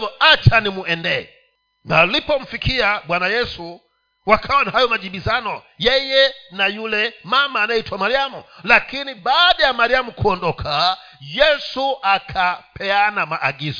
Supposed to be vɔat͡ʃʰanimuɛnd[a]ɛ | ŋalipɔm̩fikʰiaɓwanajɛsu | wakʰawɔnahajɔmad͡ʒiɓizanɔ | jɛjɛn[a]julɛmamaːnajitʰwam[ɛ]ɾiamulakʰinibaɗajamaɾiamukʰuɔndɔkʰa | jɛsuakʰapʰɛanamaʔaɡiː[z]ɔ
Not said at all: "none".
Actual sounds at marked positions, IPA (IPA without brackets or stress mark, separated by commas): ɛ, a, a, z